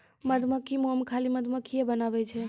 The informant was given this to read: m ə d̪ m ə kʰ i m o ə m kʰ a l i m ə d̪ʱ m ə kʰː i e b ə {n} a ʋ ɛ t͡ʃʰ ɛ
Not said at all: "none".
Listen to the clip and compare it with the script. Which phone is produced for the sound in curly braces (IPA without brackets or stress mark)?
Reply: n